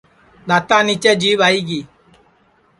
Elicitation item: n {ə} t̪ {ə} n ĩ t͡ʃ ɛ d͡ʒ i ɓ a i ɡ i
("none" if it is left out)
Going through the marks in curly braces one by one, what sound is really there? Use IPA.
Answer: a, a

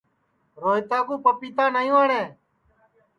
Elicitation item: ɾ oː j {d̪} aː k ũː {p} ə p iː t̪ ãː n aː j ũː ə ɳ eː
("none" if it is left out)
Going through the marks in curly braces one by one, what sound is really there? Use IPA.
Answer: t̪, p

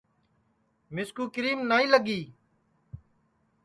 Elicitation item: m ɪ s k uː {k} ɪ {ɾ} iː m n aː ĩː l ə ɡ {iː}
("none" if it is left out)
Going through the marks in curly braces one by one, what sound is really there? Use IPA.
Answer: k, ɾ, iː

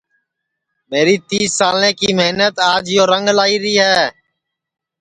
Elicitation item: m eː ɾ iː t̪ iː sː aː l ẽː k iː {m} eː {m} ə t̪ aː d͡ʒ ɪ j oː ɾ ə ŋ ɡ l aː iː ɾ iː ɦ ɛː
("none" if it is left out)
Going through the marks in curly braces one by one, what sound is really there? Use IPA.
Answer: m, n

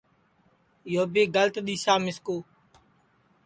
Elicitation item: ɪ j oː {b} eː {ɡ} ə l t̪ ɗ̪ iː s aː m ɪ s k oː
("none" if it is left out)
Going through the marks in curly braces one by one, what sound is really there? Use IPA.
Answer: b, ɡ

